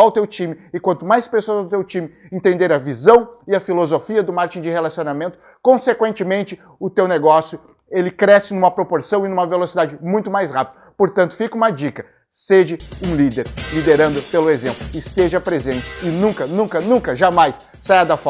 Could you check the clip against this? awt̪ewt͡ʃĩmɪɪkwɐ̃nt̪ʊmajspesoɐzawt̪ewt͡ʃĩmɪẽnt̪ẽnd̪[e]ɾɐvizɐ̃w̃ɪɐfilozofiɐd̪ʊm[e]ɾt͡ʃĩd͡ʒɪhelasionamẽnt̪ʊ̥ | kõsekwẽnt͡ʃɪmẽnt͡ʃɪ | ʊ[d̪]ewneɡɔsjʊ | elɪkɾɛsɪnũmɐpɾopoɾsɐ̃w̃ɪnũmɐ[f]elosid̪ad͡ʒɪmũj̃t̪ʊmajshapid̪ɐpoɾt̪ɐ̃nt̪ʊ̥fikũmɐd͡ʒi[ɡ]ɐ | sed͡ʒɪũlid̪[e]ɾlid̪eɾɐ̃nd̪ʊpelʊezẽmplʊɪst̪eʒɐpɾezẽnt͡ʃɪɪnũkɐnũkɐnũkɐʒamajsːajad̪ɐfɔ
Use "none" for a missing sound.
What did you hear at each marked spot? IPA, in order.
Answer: e, a, t̪, v, k, e

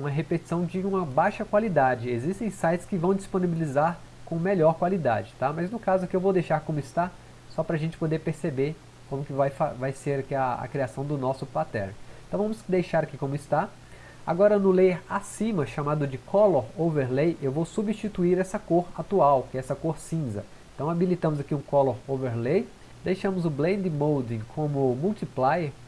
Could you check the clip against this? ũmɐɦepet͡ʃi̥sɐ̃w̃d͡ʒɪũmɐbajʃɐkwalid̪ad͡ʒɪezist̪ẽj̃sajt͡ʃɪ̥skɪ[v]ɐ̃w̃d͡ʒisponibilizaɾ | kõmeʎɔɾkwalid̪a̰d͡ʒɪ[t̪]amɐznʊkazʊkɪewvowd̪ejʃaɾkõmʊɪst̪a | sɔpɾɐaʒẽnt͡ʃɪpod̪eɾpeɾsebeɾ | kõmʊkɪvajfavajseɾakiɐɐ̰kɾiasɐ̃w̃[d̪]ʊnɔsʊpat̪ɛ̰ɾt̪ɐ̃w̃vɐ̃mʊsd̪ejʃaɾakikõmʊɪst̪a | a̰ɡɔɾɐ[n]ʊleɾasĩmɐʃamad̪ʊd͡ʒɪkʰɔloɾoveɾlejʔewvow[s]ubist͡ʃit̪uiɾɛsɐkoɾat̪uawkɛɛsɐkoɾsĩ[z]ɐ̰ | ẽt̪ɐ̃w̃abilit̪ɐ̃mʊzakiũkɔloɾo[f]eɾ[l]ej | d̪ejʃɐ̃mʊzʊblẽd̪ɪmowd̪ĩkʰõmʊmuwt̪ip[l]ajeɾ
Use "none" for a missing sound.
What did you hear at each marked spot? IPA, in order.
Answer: v, t̪, d̪, n, s, z, v, l, l

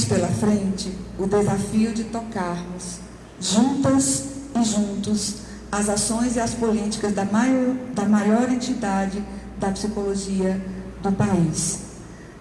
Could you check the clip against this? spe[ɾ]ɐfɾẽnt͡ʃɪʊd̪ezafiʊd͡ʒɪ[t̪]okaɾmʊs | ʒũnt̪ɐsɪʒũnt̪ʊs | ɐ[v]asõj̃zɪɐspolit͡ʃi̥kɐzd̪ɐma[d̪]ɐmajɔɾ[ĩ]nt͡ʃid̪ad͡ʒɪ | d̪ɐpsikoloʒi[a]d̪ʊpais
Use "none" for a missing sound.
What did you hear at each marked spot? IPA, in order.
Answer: l, t̪, z, d̪, ẽ, ɐ

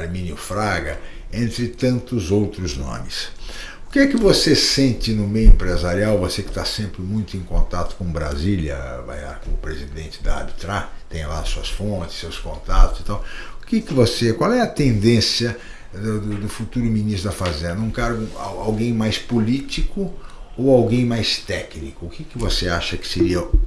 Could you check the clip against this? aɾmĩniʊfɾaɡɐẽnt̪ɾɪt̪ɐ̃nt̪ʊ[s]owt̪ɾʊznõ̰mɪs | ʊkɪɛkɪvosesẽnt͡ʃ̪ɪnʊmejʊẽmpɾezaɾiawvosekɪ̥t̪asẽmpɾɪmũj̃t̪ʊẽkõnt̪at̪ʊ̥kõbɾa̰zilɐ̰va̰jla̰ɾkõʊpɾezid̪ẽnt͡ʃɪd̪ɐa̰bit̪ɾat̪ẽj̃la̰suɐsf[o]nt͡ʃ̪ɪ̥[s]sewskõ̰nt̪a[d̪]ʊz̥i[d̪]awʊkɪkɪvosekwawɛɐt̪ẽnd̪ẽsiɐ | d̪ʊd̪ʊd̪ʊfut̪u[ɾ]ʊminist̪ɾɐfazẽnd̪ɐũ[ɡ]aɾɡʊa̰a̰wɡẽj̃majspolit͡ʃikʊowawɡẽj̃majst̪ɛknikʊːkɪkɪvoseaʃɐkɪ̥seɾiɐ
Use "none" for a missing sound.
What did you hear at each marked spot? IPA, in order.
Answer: z, õ, s, t̪, t̪, ɾ, k

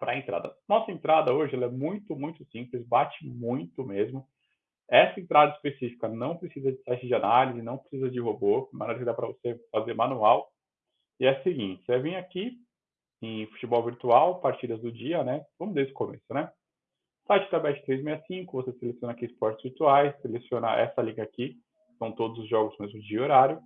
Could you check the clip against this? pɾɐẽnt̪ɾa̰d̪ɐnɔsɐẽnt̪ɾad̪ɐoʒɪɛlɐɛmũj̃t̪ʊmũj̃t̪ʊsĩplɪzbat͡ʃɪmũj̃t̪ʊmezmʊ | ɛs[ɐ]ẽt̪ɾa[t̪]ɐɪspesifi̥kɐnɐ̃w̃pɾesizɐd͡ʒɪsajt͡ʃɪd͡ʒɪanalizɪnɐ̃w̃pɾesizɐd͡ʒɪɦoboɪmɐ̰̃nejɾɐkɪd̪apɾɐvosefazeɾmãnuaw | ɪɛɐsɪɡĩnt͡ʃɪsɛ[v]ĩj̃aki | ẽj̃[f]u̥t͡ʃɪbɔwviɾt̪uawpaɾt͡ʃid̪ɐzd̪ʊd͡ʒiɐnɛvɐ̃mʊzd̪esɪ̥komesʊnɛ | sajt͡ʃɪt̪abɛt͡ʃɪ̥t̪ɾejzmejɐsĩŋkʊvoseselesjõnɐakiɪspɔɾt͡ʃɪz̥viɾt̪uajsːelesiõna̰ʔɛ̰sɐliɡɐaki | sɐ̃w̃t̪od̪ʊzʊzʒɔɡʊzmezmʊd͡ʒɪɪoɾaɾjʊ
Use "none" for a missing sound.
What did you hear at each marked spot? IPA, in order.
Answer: ɐ, d̪, v, f

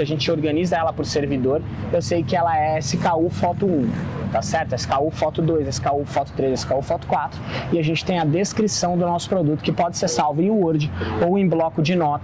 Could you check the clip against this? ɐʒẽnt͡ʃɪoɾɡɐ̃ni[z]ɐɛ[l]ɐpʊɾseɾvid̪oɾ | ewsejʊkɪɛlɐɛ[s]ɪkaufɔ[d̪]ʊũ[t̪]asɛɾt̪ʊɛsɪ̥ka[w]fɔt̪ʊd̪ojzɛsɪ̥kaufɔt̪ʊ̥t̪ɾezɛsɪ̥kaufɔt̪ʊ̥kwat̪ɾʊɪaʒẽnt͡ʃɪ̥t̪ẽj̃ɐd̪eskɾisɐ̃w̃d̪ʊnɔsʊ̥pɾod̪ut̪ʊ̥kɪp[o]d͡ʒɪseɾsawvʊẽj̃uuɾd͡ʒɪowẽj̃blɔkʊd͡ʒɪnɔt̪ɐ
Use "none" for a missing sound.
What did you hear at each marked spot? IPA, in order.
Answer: z, l, s, t̪, t̪, u, ɔ

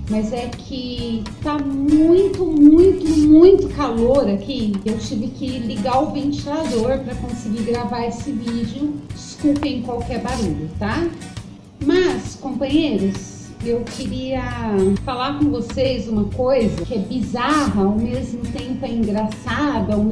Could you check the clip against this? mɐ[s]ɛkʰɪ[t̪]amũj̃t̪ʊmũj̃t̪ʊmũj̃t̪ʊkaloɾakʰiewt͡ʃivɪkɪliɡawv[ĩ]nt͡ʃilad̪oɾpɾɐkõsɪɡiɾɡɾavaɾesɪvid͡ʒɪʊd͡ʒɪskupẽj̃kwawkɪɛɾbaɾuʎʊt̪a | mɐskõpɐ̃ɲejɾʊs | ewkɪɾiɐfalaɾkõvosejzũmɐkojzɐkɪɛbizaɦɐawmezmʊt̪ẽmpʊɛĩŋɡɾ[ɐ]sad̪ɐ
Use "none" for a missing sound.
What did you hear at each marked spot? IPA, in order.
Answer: z, t̪, ẽ, a

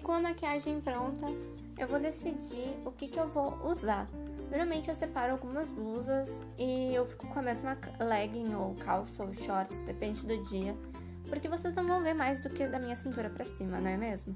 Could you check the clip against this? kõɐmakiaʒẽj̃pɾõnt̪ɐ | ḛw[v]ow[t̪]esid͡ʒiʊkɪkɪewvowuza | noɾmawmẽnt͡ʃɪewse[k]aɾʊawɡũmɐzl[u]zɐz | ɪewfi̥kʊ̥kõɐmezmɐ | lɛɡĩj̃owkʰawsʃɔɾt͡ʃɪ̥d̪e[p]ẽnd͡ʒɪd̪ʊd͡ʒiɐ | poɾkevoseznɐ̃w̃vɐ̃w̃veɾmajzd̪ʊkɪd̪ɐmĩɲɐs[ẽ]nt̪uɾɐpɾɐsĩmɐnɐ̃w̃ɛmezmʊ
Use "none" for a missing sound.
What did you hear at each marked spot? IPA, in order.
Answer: v, d̪, p, u, p, ĩ

